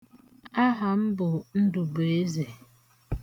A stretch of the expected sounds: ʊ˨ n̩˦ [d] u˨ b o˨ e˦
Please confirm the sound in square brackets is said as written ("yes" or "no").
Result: yes